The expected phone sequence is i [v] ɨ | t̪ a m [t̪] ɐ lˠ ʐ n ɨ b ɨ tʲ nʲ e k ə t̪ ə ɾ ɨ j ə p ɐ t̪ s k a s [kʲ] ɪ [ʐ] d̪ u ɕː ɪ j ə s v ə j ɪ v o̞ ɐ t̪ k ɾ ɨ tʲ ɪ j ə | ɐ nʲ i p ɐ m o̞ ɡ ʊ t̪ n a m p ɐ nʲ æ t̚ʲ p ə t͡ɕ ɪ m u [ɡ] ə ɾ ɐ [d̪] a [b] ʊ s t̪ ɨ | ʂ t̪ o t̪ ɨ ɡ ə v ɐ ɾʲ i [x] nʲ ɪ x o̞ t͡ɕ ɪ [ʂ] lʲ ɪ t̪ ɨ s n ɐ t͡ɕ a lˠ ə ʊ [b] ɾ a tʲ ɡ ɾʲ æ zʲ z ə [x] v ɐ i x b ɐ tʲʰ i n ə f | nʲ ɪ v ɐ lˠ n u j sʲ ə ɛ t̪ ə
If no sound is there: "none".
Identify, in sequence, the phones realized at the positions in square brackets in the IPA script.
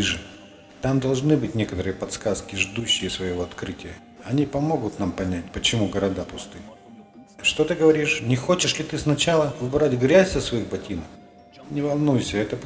ʐ, d̪, kʲ, ʐ, ɡ, d̪, p, ʂ, ʂ, b, s

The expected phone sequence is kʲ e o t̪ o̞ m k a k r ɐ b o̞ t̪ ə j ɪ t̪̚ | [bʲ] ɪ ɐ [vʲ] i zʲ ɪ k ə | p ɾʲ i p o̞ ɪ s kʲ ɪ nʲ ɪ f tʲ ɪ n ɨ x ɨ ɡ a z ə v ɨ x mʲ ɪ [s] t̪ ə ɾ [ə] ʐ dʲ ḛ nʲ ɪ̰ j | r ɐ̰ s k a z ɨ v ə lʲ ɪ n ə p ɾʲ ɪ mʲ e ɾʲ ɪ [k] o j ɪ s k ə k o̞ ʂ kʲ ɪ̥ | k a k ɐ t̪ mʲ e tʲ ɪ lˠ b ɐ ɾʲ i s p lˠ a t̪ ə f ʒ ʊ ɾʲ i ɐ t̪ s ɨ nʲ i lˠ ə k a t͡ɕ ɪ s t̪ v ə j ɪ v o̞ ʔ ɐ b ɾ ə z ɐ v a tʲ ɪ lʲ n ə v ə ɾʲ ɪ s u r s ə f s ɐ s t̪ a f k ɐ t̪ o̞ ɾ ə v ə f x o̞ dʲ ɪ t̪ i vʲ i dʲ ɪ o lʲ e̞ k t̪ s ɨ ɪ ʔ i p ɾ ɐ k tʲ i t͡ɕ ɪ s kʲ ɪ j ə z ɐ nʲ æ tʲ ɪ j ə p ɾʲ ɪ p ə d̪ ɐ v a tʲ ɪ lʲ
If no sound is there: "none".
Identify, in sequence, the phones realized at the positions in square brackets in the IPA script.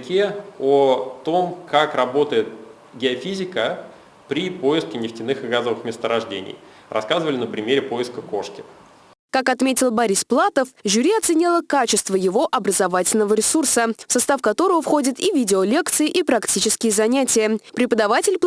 ɡʲ, fʲ, s, ɐ, p

